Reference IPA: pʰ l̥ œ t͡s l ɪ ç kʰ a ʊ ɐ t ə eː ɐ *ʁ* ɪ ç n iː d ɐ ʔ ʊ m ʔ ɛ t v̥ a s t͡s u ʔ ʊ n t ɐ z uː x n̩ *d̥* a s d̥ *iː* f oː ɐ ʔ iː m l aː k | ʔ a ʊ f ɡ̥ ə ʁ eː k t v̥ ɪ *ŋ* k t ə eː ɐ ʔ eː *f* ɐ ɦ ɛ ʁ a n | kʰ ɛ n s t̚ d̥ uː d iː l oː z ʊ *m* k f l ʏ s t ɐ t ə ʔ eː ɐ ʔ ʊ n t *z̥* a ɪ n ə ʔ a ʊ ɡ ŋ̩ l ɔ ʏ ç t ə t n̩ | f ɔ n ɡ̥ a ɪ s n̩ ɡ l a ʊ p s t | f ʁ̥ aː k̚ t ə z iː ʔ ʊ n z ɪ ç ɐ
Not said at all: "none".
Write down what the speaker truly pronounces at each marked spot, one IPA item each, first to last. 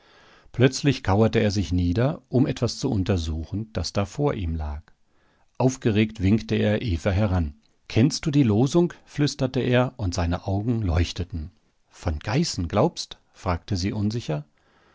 z, d̥, aː, ŋ, f, ŋ, z̥

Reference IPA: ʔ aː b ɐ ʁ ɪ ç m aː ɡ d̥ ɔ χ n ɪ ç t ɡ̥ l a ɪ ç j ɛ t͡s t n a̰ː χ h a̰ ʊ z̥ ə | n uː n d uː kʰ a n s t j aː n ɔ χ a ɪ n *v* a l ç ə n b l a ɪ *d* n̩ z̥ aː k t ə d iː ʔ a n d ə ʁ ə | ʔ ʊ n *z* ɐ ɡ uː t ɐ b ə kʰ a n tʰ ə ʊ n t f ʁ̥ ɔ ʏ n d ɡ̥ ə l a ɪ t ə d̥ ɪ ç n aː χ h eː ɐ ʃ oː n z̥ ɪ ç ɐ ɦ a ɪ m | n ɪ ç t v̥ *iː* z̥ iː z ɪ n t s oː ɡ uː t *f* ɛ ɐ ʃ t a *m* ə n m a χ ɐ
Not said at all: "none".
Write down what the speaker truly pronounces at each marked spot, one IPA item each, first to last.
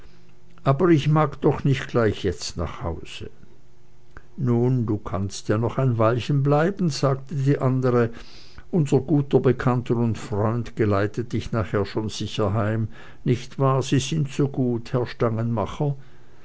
v, b, z, aː, h, ŋ

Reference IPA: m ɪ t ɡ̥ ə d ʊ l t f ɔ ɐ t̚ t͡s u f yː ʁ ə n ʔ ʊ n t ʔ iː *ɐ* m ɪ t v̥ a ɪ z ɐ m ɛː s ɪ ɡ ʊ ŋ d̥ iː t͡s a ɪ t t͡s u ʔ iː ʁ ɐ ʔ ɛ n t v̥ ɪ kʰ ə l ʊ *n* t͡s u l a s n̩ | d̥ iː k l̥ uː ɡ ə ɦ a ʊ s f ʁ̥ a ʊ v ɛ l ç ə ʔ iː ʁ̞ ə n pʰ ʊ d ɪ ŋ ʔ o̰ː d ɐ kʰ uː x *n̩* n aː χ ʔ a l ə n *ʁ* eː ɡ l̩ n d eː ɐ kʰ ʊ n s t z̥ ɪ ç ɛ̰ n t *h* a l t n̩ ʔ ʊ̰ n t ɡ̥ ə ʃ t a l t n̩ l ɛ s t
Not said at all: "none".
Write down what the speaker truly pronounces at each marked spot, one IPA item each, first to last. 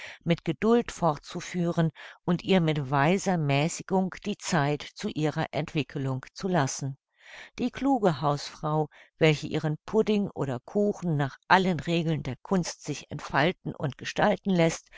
ɐ, ŋ, n̩, ʁ, f

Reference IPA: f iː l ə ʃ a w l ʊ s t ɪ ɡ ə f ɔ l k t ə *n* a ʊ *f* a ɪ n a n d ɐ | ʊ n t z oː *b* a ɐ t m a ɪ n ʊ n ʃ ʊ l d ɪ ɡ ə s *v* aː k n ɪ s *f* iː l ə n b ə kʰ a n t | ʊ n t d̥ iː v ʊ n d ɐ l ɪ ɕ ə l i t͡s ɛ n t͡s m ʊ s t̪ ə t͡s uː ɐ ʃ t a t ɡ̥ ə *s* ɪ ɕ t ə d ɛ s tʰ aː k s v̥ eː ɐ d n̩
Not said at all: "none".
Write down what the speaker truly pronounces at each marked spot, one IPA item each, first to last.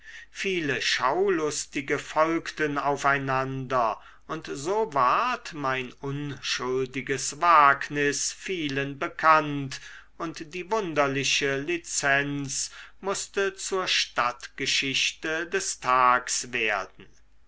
n, f, v, v, f, ʃ

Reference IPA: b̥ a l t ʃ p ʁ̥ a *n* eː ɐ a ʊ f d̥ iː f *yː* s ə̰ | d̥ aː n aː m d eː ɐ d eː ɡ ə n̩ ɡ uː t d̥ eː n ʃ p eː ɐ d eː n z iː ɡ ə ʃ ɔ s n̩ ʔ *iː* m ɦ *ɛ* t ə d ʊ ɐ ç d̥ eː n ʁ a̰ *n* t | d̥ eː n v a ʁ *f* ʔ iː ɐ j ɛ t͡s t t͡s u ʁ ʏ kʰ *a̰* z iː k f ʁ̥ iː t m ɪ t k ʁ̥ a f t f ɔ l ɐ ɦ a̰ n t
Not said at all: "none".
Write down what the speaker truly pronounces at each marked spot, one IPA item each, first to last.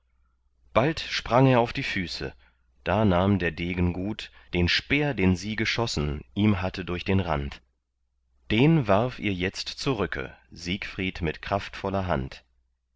ŋ, yː, iː, a, n, f, ə̰

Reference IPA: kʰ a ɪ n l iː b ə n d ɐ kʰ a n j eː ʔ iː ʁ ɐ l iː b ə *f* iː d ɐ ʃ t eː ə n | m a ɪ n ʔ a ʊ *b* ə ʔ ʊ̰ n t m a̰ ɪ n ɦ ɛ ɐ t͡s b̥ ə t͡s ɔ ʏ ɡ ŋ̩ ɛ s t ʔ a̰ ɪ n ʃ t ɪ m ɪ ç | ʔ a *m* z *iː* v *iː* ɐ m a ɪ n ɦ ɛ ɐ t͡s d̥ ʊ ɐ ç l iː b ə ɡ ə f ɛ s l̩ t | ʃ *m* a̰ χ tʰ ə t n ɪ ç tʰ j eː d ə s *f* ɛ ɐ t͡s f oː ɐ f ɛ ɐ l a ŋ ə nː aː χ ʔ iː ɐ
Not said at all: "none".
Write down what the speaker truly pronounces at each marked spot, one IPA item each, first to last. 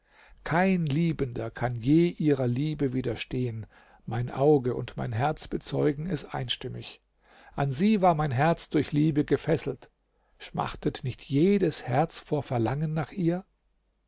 v, ɡ, n, iː, aː, m, h

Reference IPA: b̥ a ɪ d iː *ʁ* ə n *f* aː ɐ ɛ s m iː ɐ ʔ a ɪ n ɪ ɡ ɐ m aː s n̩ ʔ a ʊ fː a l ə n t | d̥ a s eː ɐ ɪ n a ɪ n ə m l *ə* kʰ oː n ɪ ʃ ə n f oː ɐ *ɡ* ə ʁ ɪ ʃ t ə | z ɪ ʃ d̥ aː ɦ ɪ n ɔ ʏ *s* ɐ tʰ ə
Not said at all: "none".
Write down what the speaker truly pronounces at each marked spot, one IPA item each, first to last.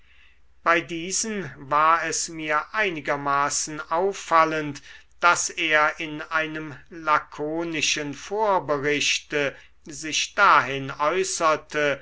z, v, a, b, s

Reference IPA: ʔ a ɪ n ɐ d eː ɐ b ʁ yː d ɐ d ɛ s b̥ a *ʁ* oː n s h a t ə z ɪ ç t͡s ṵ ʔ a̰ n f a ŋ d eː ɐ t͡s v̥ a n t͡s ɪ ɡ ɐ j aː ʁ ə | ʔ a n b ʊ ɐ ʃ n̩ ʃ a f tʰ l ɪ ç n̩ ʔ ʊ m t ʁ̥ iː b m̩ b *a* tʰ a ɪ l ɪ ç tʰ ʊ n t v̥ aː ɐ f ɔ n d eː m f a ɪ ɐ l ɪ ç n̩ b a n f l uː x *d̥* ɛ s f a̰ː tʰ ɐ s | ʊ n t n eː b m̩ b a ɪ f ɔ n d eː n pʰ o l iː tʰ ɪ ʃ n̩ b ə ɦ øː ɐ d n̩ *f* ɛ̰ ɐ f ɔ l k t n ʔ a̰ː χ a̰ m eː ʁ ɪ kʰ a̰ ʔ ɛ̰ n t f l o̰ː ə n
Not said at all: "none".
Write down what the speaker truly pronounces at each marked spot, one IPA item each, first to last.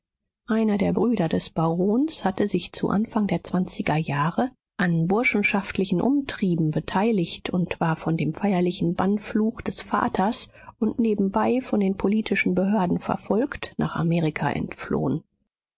ʁ, ə, d̥, f

